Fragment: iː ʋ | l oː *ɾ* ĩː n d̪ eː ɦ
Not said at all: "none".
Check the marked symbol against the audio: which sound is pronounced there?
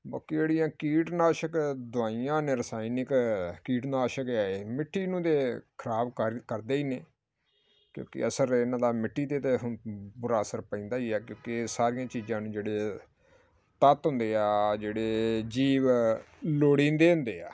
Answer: ɽ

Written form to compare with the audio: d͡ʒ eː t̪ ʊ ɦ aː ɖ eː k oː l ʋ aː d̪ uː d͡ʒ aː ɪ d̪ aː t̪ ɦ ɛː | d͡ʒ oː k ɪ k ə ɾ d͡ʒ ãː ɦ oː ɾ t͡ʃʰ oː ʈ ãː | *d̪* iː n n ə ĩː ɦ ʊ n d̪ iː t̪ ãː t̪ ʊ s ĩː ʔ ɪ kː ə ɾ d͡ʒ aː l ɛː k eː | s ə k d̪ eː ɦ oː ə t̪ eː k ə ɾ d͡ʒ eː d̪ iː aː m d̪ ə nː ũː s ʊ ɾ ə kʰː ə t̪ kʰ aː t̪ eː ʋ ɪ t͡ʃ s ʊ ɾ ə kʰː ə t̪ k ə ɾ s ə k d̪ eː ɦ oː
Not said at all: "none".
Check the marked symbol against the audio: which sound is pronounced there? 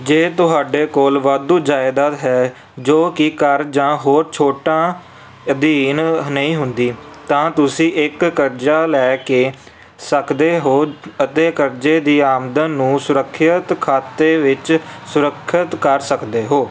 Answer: d̪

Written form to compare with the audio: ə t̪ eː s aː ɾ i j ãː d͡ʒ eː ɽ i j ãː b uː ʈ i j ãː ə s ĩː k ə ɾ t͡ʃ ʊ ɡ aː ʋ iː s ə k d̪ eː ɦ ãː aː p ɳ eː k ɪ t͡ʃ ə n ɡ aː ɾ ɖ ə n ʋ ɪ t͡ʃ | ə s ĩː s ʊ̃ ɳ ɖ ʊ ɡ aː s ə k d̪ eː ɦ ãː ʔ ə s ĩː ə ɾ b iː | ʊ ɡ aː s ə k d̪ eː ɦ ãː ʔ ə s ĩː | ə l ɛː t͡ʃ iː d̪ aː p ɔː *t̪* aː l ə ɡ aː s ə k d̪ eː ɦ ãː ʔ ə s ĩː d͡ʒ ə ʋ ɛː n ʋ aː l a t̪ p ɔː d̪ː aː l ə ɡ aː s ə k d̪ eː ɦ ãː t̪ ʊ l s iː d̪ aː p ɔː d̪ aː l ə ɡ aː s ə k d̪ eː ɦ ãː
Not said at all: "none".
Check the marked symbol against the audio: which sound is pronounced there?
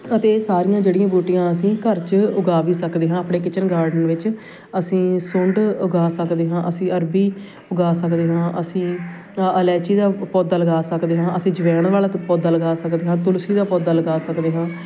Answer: d̪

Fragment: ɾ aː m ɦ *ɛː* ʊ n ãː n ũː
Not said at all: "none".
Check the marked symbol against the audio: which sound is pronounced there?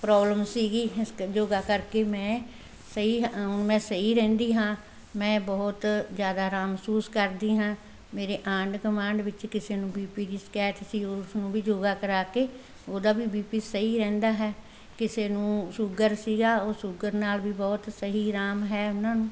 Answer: ɛː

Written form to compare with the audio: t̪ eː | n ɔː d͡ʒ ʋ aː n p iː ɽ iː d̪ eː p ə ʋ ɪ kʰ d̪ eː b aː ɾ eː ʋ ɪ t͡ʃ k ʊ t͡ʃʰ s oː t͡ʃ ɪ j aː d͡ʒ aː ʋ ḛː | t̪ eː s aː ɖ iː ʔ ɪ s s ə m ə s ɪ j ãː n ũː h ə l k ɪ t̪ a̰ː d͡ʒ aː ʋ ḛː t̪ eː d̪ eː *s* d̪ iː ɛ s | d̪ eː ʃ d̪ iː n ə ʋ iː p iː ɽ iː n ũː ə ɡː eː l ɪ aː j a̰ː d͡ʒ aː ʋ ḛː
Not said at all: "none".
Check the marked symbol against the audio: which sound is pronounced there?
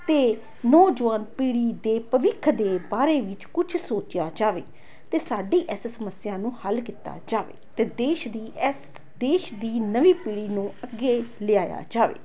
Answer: ʃ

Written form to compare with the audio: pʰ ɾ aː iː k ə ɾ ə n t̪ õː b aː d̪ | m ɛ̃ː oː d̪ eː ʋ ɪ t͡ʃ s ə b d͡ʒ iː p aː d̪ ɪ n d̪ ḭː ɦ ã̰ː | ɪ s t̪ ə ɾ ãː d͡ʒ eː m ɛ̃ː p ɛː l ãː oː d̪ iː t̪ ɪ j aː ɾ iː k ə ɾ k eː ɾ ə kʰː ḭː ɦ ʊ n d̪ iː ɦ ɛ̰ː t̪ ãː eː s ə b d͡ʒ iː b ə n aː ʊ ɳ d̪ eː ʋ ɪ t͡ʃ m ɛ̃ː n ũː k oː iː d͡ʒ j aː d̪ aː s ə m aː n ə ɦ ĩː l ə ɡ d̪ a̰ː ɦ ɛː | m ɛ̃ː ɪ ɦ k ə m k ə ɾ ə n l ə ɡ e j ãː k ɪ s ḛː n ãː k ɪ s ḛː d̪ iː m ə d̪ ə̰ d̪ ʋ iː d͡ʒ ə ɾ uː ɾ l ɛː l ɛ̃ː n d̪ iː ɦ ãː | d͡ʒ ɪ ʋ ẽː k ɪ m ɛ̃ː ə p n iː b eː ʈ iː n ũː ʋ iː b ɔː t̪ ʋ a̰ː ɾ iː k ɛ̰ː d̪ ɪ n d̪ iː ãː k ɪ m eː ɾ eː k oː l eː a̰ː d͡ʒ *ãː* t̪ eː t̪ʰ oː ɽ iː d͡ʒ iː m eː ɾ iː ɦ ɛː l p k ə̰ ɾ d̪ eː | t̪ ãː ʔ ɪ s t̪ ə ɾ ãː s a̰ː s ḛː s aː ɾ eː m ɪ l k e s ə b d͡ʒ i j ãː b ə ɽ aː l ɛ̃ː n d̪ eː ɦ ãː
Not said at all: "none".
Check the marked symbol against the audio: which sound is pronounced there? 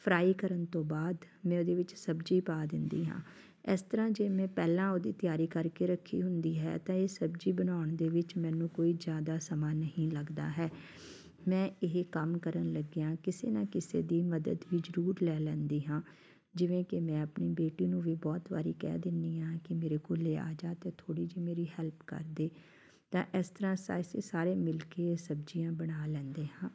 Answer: aː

